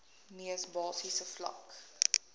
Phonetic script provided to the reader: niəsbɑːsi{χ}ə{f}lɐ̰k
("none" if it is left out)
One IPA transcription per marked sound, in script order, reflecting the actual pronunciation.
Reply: s, f

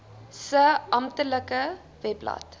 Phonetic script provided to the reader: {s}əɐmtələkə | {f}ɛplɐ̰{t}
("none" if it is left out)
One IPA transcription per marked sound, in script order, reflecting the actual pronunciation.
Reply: s, v, t

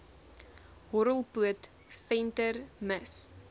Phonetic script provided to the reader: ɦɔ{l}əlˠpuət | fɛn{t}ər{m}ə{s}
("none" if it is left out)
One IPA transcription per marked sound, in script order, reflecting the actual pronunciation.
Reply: ɾ, t, m, s

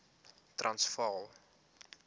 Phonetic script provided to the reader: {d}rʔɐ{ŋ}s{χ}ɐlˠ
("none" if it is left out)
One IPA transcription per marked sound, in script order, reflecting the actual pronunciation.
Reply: t, n, f

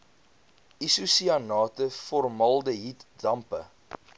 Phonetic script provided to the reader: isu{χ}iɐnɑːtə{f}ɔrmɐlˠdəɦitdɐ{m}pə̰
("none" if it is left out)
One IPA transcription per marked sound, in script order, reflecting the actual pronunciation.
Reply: s, f, m

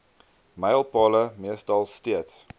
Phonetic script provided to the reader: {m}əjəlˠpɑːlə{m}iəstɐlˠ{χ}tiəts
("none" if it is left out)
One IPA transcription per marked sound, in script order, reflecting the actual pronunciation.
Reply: m, m, s

